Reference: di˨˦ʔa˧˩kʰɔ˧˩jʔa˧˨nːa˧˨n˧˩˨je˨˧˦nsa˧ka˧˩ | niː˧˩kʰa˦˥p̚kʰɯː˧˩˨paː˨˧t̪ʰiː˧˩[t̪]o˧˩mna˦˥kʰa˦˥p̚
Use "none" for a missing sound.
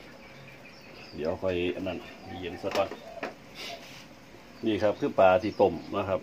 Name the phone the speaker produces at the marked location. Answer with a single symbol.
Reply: t̪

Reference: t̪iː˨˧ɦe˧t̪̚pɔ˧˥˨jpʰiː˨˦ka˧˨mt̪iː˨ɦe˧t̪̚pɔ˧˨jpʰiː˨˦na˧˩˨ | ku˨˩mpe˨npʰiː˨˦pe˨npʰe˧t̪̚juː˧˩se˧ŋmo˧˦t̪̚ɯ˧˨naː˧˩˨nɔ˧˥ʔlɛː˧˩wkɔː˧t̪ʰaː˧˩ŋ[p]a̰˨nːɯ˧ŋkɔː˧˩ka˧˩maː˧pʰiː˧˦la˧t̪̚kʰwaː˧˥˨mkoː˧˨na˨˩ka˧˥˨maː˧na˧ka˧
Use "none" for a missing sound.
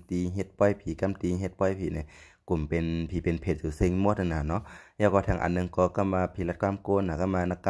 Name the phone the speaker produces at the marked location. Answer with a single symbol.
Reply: ʔ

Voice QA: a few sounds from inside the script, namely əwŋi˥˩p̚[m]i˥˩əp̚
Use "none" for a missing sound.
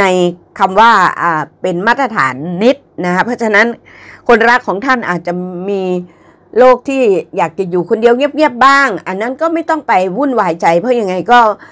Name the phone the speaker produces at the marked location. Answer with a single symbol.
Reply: ŋ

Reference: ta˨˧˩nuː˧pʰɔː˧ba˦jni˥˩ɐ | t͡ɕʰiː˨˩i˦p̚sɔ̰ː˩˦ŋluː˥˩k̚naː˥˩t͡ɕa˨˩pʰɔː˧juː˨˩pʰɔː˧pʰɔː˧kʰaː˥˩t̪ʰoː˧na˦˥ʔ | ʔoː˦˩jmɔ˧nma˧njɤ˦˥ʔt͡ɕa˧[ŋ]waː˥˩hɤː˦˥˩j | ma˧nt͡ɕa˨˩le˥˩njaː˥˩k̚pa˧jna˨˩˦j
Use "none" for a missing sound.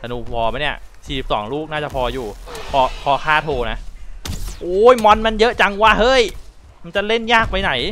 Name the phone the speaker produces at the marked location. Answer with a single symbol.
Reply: ŋ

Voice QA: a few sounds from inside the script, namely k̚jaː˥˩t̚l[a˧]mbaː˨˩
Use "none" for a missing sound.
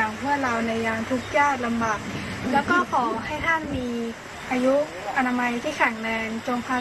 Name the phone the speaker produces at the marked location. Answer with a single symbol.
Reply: a˧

